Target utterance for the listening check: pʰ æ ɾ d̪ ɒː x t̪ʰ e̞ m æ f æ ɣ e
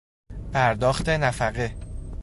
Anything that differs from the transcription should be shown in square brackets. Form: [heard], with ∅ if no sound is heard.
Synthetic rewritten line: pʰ æ ɾ d̪ ɒː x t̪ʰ e̞ [n] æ f æ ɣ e